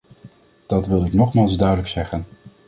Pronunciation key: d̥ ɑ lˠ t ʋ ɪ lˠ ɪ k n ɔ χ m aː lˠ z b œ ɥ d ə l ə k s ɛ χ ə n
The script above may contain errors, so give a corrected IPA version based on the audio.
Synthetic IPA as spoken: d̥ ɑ t ʋ ɪ lˠ ɪ k n ɔ χ m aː lˠ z d œ ɥ d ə l ə k s ɛ χ ə n